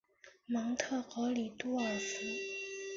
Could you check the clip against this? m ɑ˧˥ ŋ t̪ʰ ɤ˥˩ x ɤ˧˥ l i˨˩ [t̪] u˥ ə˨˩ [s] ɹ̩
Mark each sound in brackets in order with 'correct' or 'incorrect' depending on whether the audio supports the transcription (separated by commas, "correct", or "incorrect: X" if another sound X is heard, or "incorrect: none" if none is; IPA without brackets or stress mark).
correct, correct